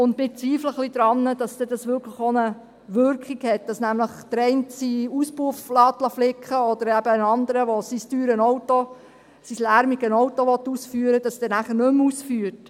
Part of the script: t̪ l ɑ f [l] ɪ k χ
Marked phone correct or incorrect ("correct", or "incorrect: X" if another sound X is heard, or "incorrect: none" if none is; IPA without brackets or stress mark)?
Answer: correct